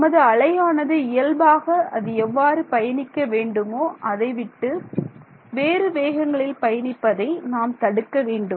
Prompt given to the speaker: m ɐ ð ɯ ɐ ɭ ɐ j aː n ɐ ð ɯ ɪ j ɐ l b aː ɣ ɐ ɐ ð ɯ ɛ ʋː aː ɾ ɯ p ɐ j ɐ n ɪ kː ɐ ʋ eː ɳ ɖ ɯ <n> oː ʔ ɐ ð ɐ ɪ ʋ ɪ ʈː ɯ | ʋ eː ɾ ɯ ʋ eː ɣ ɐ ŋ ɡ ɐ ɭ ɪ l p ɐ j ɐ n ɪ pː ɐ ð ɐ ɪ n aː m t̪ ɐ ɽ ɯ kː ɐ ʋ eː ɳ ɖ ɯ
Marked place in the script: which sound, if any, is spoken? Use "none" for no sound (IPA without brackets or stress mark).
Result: m